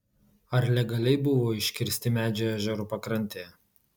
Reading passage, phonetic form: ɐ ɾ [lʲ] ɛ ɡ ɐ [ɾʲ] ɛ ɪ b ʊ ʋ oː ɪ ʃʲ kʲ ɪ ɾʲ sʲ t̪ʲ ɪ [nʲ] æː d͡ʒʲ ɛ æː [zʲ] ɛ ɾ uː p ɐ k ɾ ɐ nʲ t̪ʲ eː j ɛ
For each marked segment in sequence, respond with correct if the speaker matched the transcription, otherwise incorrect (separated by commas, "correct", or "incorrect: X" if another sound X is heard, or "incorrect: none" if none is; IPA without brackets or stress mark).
correct, incorrect: lʲ, incorrect: mʲ, incorrect: ʒʲ